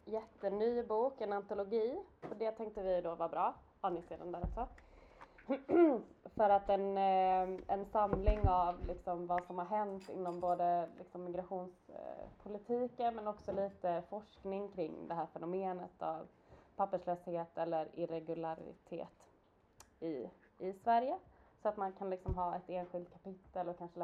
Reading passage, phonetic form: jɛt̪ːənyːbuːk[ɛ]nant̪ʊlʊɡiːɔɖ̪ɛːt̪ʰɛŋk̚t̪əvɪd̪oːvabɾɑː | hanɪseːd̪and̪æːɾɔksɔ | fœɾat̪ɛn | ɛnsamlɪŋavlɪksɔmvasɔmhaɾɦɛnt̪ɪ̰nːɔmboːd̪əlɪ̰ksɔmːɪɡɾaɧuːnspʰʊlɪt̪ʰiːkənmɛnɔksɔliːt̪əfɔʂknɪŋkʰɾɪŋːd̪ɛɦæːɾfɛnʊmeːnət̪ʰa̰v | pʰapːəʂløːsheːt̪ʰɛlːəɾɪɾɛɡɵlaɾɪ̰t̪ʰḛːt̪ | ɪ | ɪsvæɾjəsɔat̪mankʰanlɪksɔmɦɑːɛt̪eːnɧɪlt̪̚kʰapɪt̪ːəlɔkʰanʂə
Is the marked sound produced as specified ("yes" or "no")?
yes